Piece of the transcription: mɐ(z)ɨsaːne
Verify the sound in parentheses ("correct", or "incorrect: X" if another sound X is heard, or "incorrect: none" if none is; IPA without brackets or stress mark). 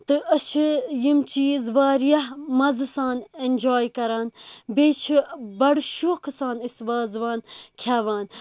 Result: correct